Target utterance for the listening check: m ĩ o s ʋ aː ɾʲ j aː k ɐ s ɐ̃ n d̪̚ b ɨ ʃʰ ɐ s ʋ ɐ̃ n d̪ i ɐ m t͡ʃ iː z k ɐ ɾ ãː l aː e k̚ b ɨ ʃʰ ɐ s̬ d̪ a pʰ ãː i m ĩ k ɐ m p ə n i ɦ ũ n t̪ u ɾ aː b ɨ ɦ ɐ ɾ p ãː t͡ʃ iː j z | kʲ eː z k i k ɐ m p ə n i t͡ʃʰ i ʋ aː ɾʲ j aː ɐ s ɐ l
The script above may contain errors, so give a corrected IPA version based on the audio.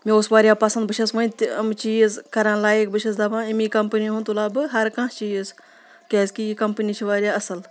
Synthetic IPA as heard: m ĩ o s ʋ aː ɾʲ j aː p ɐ s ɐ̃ n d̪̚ b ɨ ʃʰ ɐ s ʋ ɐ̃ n t̪ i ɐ m t͡ʃ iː z k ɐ ɾ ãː l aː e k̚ b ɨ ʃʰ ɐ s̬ d̪ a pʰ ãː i m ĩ k ɐ m p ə n i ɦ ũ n t̪ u l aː b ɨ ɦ ɐ ɾ k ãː t͡ʃ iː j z | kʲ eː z k i k ɐ m p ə n i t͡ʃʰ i ʋ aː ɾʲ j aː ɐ s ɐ l